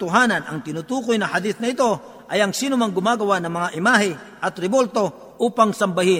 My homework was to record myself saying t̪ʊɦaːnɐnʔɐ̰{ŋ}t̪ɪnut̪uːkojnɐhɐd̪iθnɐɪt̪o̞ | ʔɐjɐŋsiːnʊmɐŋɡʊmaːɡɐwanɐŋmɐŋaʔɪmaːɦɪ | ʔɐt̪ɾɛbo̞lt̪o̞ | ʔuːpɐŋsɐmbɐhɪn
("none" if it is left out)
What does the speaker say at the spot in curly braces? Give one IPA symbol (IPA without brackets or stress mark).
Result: ŋ